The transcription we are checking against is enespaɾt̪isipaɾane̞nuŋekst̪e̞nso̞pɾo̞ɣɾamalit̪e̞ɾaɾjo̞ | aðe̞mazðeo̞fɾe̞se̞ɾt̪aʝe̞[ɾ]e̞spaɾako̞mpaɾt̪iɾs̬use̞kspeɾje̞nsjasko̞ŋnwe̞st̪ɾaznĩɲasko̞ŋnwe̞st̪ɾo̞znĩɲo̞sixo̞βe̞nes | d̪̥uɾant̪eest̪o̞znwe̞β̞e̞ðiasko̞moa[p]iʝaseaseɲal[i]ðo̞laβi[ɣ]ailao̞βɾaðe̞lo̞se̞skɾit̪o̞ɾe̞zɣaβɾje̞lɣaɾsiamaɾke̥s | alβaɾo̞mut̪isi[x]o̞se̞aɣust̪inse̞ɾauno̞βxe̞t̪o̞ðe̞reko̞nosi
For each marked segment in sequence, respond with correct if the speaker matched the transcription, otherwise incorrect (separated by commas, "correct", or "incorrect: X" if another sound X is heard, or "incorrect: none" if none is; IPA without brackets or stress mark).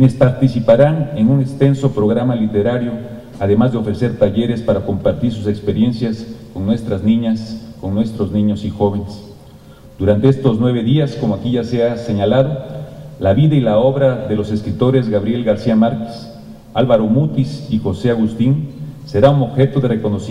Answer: correct, incorrect: k, incorrect: a, incorrect: ð, correct